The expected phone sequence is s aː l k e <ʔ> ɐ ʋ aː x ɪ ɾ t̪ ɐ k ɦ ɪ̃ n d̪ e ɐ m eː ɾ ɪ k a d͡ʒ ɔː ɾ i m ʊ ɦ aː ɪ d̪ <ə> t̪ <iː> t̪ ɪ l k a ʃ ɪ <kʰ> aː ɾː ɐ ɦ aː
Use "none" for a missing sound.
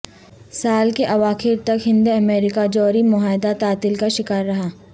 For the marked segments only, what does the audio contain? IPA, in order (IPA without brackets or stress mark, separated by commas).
ʔ, a, aː, k